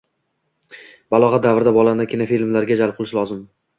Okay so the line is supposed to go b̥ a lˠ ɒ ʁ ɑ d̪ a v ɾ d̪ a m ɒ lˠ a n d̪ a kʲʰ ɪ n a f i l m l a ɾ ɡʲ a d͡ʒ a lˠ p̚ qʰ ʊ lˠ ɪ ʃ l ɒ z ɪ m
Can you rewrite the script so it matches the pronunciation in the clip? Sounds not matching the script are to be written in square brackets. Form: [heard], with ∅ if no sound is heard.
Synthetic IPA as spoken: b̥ a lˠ ɒ ʁ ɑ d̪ a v ɾ d̪ a [b] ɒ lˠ a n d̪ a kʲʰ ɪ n a f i l m l a ɾ ɡʲ a d͡ʒ a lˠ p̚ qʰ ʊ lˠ ɪ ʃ l ɒ z ɪ m